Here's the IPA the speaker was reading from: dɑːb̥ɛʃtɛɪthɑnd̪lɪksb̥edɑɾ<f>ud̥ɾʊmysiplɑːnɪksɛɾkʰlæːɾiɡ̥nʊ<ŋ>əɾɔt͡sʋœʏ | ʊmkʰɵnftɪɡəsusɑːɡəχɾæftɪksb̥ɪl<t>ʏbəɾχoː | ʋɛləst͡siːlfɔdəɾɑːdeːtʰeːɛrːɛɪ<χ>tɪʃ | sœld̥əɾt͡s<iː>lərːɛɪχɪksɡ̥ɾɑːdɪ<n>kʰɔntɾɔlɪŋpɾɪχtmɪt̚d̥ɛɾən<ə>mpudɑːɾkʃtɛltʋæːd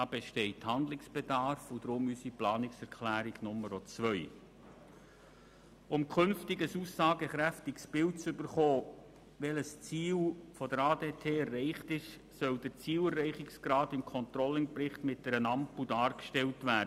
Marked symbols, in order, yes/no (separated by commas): yes, no, no, yes, yes, no, no